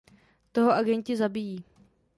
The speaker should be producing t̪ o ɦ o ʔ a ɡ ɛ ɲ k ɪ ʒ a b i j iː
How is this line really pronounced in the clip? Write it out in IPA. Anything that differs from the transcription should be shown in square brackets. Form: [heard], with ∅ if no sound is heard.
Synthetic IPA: t̪ o ɦ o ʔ a ɡ ɛ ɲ [c] ɪ [z] a b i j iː